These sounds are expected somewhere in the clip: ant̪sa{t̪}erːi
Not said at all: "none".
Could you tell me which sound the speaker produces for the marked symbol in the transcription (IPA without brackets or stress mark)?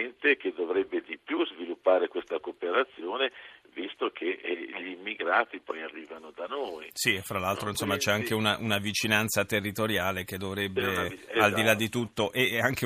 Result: t̪